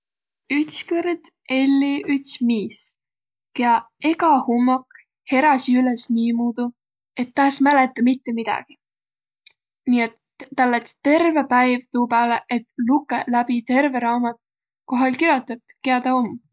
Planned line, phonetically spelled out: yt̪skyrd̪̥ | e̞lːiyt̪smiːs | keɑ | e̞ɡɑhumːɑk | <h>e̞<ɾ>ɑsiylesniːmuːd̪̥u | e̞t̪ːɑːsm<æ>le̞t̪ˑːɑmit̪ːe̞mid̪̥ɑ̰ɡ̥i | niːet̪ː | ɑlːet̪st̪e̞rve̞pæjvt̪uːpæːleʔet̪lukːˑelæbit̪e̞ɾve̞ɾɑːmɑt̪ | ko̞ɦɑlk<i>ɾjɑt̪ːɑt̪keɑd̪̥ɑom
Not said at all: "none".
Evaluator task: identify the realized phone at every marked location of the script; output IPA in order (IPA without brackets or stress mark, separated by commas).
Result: h, ɾ, æ, i